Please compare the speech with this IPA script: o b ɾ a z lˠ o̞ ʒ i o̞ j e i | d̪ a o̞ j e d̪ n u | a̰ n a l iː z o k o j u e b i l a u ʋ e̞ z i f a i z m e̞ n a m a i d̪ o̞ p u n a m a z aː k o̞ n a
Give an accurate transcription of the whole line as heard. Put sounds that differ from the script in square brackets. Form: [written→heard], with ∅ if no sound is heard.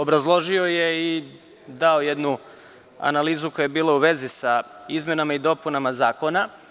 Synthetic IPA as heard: o b ɾ a z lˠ o̞ ʒ i o̞ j e i | d̪ a o̞ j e d̪ n u | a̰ n a l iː z [o→u] k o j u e b [i→iː] l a u ʋ e̞ z i [f→s] a i z m e̞ n a m a i d̪ o̞ p u n a m a z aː k o̞ n a